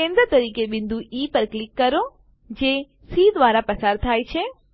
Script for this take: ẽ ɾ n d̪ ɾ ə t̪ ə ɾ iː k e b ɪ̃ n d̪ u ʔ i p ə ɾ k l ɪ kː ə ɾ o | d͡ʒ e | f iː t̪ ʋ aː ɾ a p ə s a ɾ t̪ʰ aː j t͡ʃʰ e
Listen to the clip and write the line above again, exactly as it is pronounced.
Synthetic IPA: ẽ n d̪ ɾ ə t̪ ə ɾ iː k e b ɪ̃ n d̪ u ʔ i p ə ɾ k l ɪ kː ə ɾ o | d͡ʒ e | s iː d̪ ʋ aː ɾ a p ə s a ɾ t̪ʰ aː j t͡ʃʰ e

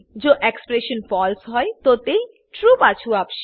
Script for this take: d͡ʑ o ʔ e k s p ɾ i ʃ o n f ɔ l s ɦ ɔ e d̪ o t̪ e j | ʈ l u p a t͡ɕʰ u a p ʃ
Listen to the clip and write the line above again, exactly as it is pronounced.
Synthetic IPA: d͡ʑ o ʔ e k s p ɾ e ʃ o n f ɔ l s ɦ ɔ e t̪ o t̪ e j | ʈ ɾ u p a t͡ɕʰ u a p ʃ

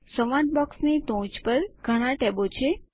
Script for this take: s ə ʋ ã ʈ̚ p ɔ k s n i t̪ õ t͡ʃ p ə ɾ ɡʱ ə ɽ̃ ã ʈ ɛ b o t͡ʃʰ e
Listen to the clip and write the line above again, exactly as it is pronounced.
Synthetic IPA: s ə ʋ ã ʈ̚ b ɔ k s n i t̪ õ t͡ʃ p ə ɾ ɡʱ ə ɽ̃ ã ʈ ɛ b o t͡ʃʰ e

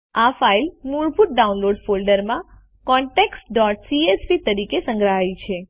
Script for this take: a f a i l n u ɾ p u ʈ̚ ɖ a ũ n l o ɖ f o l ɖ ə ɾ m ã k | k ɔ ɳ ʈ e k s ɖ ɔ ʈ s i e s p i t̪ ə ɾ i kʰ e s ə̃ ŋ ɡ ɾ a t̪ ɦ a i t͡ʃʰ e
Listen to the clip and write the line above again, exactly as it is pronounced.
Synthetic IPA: a f a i l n u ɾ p u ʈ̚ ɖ a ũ n l o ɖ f o l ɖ ə ɾ m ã | k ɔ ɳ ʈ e k s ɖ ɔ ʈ s i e s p i t̪ ə ɾ i k e s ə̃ ŋ ɡ ɾ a ɦ a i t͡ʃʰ e

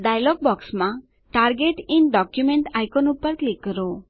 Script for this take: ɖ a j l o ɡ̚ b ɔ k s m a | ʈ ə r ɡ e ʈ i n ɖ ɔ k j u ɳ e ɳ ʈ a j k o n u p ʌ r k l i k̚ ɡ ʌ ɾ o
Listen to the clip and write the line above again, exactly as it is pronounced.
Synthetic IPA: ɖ a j l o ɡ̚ b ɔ k s m a | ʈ a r ɡ e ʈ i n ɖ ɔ k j u m e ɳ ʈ a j k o n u p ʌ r k l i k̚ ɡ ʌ ɾ o

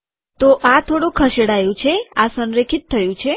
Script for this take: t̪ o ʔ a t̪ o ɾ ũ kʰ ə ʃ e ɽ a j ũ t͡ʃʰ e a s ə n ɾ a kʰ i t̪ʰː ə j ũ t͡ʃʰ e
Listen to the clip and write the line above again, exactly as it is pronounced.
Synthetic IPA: t̪ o ʔ a t̪ʰ o ɽ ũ kʰ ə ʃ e ɽ a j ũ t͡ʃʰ e a s ə n ɾ e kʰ i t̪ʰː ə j ũ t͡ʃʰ e

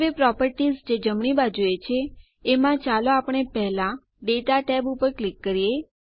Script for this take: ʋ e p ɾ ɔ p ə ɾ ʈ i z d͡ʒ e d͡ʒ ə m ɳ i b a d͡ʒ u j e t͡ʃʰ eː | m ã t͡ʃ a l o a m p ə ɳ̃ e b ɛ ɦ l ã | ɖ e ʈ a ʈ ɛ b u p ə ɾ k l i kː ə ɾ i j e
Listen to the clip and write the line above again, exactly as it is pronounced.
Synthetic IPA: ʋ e p ɾ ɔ p ə ɾ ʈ i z d͡ʒ e d͡ʒ ə m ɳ i b a d͡ʒ u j e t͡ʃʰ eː | m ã t͡ʃ a l o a p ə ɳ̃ e p ɛ ɦ l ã | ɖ e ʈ a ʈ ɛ b u p ə ɾ k l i kː ə ɾ i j e

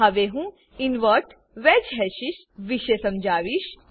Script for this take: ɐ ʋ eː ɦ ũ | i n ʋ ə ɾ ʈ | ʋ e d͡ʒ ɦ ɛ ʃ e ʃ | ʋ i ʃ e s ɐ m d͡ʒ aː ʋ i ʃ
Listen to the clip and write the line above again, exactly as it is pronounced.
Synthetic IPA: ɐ ʋ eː ɦ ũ | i n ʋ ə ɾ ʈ | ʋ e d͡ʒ ɦ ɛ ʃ i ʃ | ʋ i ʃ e s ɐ m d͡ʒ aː ʋ i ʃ

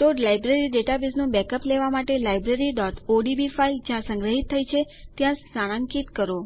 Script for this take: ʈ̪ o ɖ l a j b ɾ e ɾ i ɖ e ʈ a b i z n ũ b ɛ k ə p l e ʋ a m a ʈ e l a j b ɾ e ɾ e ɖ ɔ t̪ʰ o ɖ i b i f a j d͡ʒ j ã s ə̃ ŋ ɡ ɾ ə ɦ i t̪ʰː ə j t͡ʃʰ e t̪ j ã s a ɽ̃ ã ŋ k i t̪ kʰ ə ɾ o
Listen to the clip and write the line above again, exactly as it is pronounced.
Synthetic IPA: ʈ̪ o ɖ l a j b ɾ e ɾ i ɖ e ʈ a b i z n ũ b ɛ k ə p l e ʋ a m a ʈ e l a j b ɾ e ɾ i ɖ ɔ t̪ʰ o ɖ i b i f a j d͡ʒ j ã s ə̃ ŋ ɡ ɾ ə ɦ i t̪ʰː ə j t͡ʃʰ e t̪ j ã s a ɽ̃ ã ŋ k i t̪ k ə ɾ o

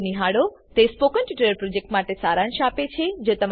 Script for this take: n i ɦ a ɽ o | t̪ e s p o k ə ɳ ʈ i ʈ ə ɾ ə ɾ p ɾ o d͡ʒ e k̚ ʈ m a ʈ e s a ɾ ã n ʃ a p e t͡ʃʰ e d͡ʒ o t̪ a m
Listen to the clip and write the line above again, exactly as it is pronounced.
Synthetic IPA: n i ɦ a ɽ o | t̪ e s p o k ə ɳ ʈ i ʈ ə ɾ ə ɾ p ɾ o d͡ʒ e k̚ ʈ m a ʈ e s a ɾ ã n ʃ a p e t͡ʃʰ e d͡ʒ o t̪ ə m

